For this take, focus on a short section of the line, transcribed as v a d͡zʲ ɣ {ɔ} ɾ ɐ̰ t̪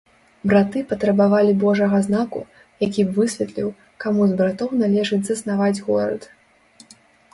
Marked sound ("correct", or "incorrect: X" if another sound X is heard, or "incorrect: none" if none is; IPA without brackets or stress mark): correct